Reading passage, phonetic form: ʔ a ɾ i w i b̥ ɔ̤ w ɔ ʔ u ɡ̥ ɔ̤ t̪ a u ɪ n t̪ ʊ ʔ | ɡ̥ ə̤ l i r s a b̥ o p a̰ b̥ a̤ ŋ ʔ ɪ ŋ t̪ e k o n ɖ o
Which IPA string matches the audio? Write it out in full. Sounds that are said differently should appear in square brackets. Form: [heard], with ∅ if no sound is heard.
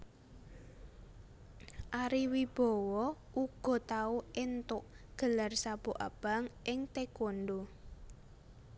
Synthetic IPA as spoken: ʔ a ɾ i w i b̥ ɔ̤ w ɔ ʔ u ɡ̥ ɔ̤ t̪ a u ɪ n t̪ ʊ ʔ | ɡ̥ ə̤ l [a] r s a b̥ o [ʔ] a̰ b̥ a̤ ŋ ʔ ɪ ŋ t̪ e k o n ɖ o